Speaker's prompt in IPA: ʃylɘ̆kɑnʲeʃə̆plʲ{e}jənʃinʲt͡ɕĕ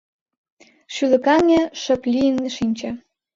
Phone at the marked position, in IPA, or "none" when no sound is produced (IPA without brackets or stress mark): i